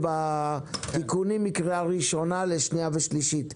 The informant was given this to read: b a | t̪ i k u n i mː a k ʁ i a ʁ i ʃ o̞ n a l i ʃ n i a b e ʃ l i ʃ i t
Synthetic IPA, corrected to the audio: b a | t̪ i k u n i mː i k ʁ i a ʁ i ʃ o̞ n a l e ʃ n i a v e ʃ l i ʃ i t